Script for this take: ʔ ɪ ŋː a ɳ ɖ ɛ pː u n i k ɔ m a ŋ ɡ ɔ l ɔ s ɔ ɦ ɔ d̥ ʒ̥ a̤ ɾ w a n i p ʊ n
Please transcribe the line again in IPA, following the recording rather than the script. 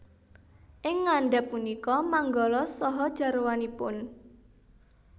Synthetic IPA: ʔ ɪ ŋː a ɳ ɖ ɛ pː u n i k ɔ m a ŋ ɡ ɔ l ɔ s ɔ ɦ ɔ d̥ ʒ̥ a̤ ɾ w a n i p ʊ n